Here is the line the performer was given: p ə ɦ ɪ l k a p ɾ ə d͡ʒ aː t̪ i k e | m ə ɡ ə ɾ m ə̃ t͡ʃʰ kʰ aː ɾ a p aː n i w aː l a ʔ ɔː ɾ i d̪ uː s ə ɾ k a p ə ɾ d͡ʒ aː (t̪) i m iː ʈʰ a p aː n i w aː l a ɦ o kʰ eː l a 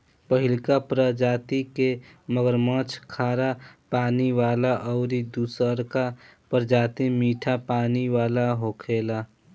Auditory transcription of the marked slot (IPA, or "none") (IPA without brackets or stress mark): t̪